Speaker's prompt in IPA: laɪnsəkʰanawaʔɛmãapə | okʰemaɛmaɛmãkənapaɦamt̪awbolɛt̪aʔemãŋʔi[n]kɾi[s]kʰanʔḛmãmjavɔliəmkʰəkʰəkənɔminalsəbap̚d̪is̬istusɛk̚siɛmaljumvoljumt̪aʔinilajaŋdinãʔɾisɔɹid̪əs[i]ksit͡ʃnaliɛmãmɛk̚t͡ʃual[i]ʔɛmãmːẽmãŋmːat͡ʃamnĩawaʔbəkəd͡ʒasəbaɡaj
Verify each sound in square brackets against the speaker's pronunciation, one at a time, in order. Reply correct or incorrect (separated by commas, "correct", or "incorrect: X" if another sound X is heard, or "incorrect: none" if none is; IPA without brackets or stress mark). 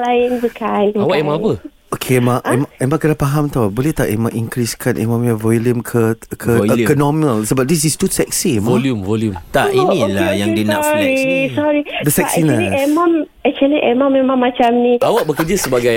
incorrect: ŋ, correct, incorrect: ɛ, correct